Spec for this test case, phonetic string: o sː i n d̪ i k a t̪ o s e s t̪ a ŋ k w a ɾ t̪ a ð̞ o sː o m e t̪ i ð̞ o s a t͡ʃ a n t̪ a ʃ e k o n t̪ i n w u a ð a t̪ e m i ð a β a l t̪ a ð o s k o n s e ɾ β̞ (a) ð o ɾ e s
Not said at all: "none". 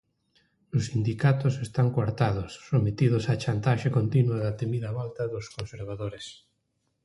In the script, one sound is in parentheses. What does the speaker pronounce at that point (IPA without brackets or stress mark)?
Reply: a